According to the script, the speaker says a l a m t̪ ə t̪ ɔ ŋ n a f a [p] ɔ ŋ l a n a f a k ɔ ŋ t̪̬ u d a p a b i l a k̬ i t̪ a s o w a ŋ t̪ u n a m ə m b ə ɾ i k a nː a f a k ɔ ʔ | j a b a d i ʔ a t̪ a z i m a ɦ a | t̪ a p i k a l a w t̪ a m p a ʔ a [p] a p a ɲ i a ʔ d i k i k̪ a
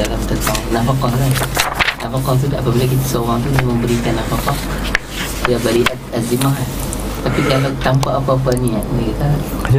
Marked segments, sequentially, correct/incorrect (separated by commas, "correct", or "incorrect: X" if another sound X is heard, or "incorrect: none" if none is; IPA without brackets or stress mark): incorrect: k, correct